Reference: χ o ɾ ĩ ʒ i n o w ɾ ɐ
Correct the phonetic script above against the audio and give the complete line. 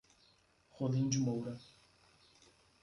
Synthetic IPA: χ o l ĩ d͡ʒ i m o w ɾ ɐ